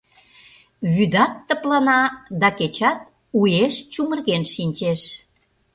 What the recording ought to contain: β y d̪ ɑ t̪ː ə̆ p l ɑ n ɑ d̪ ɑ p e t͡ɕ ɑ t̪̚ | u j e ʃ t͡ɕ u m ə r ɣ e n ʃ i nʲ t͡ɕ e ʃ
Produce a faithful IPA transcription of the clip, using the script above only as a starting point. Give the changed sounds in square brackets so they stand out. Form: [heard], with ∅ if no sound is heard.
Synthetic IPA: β y d̪ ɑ t̪ː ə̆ p l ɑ n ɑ d̪ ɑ [k] e t͡ɕ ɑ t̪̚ | u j e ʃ t͡ɕ u m ə r ɣ e n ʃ i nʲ t͡ɕ e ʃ